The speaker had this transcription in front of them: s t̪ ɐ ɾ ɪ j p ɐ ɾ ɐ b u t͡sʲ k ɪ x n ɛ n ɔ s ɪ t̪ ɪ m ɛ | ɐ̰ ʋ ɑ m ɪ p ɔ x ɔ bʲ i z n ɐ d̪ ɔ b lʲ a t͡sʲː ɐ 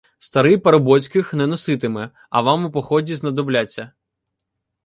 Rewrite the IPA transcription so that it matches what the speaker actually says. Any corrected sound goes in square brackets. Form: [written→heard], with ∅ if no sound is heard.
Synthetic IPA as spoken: s t̪ ɐ ɾ ɪ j p ɐ ɾ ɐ b [u→ɔ] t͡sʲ k ɪ x n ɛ n ɔ s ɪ t̪ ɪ m ɛ | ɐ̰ ʋ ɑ m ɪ p ɔ x ɔ [bʲ→dʲ] i z n ɐ d̪ ɔ b lʲ a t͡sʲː ɐ